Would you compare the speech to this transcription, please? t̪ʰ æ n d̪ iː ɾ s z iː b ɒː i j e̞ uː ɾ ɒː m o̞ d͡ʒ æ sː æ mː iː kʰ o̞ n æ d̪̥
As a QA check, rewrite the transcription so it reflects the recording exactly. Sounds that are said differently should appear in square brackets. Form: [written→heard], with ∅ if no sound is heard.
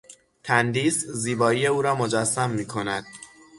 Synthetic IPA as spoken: t̪ʰ æ n d̪ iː [ɾ→∅] s z iː b ɒː i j e̞ uː ɾ ɒː m o̞ d͡ʒ æ sː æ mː iː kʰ o̞ n æ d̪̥